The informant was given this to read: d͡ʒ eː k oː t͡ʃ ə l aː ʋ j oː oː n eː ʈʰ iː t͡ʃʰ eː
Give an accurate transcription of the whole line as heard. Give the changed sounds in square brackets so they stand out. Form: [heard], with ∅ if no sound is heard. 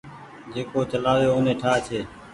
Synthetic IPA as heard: d͡ʒ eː k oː t͡ʃ ə l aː ʋ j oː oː n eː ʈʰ [aː] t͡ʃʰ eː

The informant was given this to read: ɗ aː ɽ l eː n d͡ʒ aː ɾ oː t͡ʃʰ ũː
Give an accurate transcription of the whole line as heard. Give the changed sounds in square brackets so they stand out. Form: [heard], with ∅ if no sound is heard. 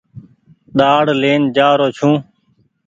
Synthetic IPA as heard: ɗ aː ɽ l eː n d͡ʒ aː ɾ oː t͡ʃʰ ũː

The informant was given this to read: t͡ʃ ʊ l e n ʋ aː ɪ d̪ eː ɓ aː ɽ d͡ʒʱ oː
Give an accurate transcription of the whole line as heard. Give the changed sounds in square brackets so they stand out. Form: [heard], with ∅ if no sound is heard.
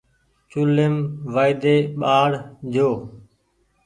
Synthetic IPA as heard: t͡ʃ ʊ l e [m] ʋ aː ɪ d̪ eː ɓ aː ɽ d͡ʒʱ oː

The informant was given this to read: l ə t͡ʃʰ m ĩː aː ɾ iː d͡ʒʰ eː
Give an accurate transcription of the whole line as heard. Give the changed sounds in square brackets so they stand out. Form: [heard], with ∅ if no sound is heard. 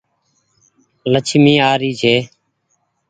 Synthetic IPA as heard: l ə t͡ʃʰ m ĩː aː ɾ iː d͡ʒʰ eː

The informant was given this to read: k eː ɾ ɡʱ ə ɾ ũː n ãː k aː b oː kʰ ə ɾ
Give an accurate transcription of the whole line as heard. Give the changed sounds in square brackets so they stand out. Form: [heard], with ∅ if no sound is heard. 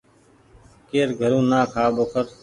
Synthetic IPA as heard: k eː ɾ ɡʱ ə ɾ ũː n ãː [kʰ] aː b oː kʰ ə ɾ

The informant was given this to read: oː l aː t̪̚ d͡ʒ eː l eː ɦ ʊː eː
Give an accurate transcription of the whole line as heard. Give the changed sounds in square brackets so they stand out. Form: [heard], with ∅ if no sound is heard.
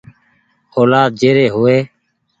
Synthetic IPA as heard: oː l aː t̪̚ d͡ʒ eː [ɾ] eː ɦ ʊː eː

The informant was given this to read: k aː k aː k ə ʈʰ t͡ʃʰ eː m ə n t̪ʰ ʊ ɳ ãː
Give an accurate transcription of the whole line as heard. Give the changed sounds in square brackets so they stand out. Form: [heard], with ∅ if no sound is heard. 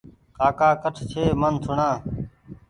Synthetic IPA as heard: k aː k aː k ə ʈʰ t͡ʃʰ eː m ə n t̪ʰ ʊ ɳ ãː

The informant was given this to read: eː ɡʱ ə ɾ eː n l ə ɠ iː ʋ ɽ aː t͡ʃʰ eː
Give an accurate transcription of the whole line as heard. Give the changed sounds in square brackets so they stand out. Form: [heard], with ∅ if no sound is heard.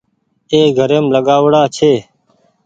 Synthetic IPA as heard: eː ɡʱ ə ɾ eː [m] l ə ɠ [aː] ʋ ɽ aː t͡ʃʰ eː

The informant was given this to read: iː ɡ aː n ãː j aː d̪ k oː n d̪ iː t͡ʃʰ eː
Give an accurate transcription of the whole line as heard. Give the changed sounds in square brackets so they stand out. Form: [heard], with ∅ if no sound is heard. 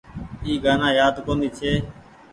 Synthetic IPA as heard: iː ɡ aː n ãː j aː d̪ k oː n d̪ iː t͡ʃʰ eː

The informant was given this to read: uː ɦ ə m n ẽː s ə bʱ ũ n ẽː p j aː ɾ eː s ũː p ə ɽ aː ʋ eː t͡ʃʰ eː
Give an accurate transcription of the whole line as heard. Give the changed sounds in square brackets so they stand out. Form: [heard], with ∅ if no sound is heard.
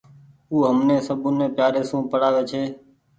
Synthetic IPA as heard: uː ɦ ə m n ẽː s ə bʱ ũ n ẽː p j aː ɾ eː s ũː p ə ɽ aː ʋ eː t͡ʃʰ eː

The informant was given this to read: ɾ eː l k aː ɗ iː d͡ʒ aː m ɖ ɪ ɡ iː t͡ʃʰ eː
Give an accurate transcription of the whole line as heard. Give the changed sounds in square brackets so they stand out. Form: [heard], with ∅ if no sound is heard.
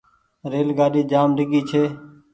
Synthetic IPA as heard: ɾ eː l [ɡ] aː ɗ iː d͡ʒ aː m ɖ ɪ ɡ iː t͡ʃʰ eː

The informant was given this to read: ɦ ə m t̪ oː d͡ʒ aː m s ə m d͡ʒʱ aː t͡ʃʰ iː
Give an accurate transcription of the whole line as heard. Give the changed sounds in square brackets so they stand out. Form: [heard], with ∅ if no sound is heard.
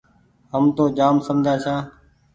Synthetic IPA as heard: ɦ ə m t̪ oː d͡ʒ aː m s ə m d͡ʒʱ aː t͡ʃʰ [aː]

